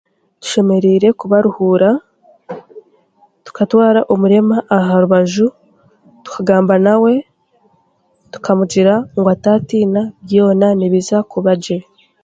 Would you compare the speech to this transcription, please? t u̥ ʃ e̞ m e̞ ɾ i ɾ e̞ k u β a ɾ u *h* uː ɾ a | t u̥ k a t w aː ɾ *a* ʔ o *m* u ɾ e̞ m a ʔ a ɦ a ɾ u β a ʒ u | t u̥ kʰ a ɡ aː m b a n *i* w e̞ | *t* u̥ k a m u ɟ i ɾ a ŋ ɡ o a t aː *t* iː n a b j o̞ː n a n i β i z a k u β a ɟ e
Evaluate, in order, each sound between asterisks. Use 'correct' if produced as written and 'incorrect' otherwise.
correct, correct, correct, incorrect: a, correct, correct

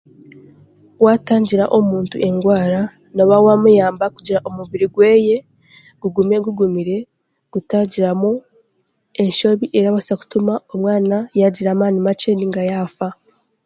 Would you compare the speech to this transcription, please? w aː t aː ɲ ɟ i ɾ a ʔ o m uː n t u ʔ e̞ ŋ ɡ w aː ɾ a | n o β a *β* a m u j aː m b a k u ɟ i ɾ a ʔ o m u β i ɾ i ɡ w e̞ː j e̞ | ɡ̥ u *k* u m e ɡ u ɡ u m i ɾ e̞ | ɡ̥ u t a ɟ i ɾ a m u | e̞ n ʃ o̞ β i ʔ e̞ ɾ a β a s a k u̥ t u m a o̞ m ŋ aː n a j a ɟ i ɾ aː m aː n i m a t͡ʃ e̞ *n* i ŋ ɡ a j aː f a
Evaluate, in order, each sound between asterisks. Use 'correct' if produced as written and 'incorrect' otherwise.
incorrect: w, incorrect: ɡ, correct

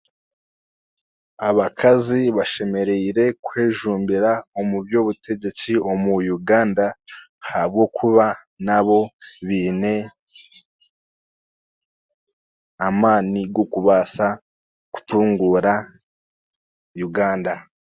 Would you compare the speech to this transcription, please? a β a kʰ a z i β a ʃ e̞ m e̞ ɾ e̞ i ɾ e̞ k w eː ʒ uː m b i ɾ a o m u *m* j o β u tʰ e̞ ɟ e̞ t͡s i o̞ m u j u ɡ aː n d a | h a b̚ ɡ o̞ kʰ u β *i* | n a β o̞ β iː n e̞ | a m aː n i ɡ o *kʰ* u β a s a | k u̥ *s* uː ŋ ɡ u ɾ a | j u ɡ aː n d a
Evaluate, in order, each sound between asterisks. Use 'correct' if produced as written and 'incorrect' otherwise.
incorrect: b, incorrect: a, incorrect: k, incorrect: t

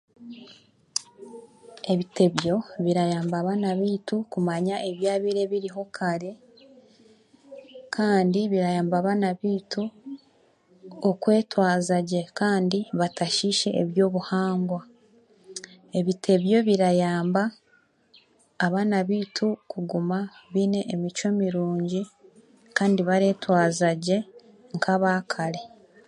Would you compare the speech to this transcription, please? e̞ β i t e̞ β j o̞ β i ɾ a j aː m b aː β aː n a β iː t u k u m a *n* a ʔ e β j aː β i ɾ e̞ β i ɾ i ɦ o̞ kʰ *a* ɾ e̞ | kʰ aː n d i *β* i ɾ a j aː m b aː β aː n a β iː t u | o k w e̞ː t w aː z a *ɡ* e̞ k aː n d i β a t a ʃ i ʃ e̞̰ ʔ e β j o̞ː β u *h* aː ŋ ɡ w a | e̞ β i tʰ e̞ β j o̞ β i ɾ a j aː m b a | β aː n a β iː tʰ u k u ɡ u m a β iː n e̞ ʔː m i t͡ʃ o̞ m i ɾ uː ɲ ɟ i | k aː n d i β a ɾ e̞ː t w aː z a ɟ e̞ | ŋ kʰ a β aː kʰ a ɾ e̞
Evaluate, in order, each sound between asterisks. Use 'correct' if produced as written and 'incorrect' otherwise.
incorrect: ɲ, correct, correct, incorrect: ɟ, correct

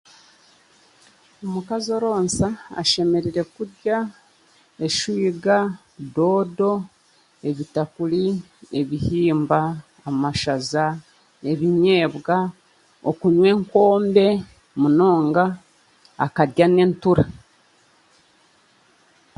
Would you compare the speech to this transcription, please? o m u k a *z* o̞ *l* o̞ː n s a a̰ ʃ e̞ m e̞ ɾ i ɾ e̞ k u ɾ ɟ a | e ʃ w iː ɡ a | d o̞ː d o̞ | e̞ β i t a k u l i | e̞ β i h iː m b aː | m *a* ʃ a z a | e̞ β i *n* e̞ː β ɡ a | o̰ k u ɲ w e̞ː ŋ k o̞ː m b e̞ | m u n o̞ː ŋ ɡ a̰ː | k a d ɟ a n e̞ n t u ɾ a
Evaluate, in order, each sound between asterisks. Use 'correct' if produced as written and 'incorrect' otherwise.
correct, incorrect: ɾ, correct, incorrect: ɲ

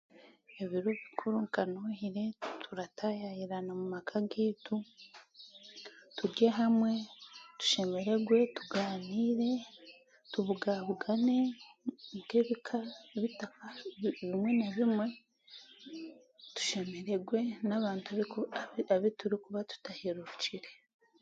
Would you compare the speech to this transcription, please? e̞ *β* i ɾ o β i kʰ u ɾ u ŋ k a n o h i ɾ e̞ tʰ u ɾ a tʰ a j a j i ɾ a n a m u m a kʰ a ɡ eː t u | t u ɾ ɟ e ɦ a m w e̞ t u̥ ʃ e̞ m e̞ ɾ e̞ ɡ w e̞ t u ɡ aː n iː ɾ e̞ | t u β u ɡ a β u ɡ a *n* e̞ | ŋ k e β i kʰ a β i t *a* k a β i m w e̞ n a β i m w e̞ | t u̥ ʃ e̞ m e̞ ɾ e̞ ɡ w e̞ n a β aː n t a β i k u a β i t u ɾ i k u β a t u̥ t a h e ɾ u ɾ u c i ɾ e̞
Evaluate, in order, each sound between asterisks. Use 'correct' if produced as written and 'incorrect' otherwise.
correct, correct, correct

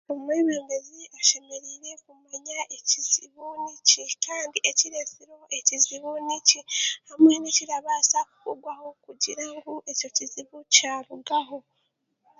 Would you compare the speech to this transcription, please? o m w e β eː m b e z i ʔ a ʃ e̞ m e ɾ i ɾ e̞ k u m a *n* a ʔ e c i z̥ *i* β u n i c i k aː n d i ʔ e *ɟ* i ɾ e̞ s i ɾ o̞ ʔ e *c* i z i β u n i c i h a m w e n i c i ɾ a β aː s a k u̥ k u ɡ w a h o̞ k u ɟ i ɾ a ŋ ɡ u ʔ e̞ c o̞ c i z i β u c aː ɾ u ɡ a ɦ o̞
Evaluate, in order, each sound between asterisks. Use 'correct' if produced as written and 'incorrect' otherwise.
incorrect: ɲ, correct, incorrect: c, correct

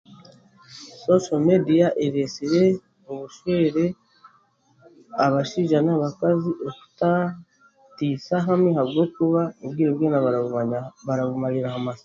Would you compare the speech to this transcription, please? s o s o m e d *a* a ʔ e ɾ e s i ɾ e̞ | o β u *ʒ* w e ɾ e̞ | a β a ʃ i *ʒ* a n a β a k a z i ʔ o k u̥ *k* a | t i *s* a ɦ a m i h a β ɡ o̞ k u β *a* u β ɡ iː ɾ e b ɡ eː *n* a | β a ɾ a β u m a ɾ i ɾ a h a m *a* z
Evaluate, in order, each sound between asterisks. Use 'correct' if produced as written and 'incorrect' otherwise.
incorrect: i, incorrect: ʃ, correct, incorrect: t, correct, correct, correct, correct

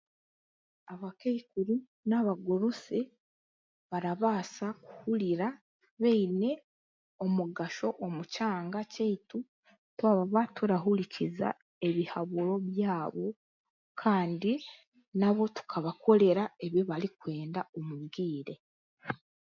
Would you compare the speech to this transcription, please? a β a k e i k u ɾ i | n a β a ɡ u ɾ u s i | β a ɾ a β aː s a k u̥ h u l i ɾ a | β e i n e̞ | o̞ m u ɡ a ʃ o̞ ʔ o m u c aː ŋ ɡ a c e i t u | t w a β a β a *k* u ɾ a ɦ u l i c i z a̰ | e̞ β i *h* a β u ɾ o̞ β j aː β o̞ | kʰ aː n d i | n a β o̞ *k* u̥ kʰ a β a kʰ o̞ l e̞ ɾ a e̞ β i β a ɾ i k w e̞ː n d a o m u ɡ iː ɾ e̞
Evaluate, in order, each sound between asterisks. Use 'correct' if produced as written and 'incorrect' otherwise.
incorrect: t, correct, incorrect: t

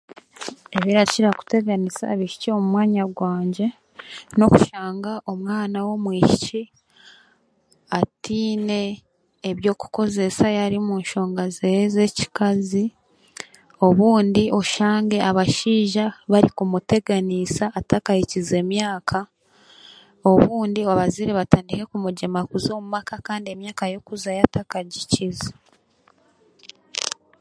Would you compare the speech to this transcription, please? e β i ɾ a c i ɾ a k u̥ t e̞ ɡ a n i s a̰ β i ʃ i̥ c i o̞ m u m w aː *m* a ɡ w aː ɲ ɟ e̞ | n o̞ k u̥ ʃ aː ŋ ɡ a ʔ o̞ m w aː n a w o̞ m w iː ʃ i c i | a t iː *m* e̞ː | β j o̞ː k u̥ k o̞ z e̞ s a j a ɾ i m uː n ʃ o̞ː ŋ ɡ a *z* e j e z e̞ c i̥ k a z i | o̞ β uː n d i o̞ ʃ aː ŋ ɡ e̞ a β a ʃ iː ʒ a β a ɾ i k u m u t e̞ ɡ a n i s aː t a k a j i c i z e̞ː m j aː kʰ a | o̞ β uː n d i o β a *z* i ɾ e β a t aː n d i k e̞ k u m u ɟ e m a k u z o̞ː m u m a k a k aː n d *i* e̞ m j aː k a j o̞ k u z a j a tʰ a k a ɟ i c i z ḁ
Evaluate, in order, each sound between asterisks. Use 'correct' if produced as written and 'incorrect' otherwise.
incorrect: ɲ, incorrect: n, correct, correct, correct

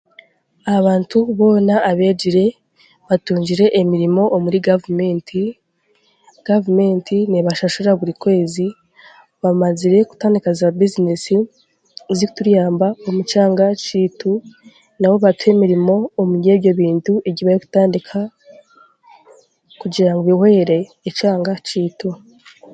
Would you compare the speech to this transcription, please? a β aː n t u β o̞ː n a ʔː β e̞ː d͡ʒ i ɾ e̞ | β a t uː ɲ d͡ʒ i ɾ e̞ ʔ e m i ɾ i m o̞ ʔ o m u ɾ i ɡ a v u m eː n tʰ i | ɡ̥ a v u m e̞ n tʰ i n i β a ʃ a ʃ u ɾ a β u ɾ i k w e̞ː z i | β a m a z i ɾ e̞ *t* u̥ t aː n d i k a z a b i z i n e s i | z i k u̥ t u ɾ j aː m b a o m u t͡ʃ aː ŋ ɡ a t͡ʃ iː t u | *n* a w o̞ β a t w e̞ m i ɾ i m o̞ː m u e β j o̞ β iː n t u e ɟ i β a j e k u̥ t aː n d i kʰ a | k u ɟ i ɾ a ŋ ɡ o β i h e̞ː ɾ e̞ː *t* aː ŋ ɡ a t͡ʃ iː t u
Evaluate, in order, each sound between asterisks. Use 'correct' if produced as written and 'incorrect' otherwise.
incorrect: k, correct, incorrect: t͡ʃ

